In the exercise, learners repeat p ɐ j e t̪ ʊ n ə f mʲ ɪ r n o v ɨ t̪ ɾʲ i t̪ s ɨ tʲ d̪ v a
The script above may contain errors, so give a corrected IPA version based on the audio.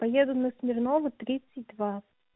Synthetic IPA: p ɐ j e d̪ ʊ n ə s mʲ ɪ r n o v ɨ t̪ ɾʲ i t̪ s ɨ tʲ d̪ v a